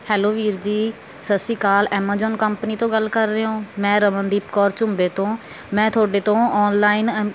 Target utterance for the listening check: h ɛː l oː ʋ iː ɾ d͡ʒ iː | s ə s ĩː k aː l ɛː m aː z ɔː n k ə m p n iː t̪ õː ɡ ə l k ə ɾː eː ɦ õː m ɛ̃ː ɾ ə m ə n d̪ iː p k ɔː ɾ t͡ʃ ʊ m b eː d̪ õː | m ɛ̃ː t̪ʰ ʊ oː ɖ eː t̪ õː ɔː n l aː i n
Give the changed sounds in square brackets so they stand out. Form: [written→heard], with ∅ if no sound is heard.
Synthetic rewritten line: h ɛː l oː ʋ iː ɾ d͡ʒ iː | s ə s [ĩː→iː] k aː l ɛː m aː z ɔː n k ə m p n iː t̪ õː ɡ ə l k ə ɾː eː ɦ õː m ɛ̃ː ɾ ə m ə n d̪ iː p k ɔː ɾ t͡ʃ ʊ m b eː [d̪→t̪] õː | m ɛ̃ː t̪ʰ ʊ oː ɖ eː t̪ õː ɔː n l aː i n

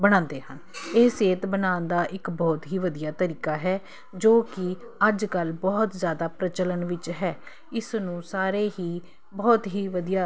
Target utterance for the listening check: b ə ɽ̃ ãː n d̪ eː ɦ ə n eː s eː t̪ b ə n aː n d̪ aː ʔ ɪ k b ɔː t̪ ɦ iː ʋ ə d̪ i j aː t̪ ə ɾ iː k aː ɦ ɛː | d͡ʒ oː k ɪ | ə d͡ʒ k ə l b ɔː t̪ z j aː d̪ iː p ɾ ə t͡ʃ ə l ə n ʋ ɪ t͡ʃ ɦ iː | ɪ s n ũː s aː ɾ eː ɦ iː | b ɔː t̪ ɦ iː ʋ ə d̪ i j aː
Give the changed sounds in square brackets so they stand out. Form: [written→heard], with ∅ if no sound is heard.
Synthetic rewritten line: b ə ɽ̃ ãː n d̪ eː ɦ ə n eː s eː t̪ b ə n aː n d̪ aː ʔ ɪ k b ɔː t̪ ɦ iː ʋ ə d̪ i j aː t̪ ə ɾ iː k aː ɦ ɛː | d͡ʒ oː k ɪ | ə d͡ʒ k ə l b ɔː t̪ z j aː d̪ [iː→aː] p ɾ ə t͡ʃ ə l ə n ʋ ɪ t͡ʃ ɦ [iː→ɛː] | ɪ s n ũː s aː ɾ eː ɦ iː | b ɔː t̪ ɦ iː ʋ ə d̪ i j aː

